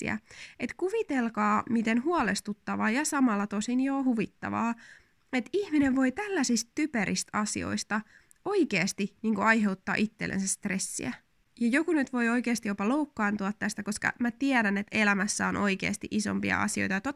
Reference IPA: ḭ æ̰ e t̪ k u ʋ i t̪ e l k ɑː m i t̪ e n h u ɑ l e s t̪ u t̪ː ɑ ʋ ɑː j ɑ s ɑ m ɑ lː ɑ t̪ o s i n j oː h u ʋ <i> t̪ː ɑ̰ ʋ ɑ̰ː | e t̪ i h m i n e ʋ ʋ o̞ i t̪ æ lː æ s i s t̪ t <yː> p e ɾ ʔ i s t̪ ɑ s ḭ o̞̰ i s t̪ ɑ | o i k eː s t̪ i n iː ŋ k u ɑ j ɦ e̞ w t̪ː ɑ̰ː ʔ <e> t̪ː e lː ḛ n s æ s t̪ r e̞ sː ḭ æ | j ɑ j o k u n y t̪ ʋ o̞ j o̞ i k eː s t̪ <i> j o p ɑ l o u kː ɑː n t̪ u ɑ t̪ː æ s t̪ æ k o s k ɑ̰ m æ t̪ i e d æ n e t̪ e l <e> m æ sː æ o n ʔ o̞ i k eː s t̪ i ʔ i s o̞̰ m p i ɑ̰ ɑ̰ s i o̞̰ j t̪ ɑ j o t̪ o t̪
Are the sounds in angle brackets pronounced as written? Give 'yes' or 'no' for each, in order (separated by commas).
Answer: yes, no, no, yes, no